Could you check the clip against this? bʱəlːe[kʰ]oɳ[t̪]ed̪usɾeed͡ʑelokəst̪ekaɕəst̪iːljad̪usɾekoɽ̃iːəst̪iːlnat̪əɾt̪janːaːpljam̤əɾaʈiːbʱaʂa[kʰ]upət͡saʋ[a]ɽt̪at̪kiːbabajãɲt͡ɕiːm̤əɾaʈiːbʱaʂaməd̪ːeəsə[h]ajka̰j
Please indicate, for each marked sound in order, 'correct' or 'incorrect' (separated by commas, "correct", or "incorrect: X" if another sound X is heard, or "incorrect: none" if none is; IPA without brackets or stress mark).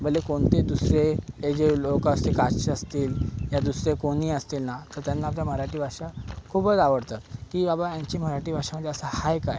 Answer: incorrect: k, correct, correct, incorrect: ə, correct